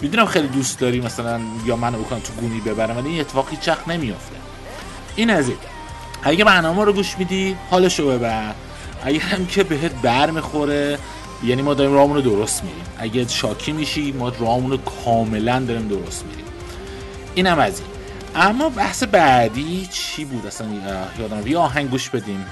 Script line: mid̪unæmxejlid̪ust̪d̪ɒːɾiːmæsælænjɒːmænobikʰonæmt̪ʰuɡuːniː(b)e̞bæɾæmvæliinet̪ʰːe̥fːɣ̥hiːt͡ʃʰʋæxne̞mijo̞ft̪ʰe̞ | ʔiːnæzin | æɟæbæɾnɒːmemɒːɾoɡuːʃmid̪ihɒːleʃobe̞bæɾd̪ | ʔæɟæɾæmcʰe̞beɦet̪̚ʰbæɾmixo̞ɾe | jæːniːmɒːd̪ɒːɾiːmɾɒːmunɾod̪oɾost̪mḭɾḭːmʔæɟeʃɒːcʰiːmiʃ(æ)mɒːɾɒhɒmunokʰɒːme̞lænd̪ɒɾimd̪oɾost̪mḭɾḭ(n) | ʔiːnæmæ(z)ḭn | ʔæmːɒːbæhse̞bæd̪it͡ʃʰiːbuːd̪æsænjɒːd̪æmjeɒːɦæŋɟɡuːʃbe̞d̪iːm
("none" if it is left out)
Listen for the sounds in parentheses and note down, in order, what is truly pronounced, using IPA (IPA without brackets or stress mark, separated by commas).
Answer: b, i, m, z